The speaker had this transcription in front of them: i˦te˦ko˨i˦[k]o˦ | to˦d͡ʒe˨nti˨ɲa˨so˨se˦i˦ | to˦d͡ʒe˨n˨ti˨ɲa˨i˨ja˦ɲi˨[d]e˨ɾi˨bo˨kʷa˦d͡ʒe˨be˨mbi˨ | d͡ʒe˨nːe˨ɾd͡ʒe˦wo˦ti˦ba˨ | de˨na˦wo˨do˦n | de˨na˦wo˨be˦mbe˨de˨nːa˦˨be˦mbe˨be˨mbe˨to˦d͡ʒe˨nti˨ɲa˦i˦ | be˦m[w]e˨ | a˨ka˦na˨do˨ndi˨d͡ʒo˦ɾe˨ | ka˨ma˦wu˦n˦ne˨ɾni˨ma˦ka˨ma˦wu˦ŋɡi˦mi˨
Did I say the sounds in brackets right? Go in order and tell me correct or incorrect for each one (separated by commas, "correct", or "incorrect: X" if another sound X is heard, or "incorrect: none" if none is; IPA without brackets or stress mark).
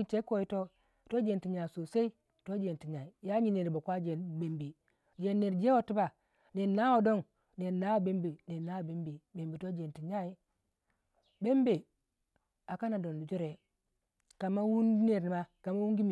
incorrect: t, incorrect: n, incorrect: b